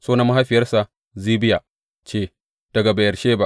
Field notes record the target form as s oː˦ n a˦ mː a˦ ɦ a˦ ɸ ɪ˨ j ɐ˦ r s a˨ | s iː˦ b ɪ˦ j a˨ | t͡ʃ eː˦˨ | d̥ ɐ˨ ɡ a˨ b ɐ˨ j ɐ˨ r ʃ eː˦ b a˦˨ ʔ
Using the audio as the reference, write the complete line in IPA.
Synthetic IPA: s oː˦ n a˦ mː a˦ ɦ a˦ ɸ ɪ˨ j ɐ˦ r s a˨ | z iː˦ b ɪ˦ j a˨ | t͡ʃ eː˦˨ | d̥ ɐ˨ ɡ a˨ b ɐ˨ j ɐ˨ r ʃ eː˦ b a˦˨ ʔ